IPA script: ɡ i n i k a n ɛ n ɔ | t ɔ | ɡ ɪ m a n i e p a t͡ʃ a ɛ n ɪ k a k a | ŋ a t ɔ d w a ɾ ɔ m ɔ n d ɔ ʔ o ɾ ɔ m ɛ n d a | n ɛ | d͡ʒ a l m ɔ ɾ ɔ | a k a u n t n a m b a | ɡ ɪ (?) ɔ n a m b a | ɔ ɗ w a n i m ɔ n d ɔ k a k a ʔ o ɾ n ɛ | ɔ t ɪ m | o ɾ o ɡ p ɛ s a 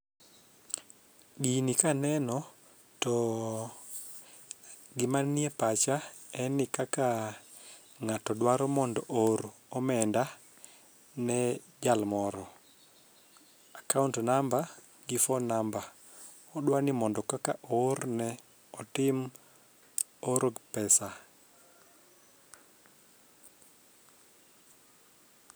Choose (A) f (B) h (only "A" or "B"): A